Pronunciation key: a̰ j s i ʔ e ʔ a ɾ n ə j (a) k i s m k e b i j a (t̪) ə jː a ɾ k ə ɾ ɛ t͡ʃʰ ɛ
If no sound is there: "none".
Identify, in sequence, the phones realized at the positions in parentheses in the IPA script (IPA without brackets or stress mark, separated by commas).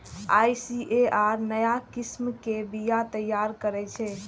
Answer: a, t̪